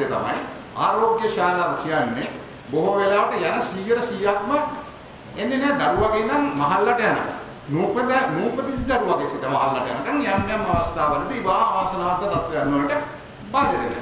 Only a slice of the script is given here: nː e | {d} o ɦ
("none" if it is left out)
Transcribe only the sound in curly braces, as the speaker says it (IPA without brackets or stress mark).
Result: b